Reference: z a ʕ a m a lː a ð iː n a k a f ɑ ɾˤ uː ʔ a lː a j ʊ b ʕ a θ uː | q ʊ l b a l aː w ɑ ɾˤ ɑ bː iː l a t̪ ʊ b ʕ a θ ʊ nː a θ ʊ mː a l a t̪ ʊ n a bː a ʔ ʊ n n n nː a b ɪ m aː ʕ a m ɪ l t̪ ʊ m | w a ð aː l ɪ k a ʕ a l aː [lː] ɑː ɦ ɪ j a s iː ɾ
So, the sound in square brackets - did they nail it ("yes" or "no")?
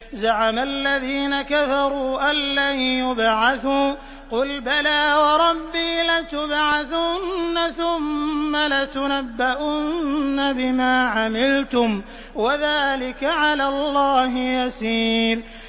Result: yes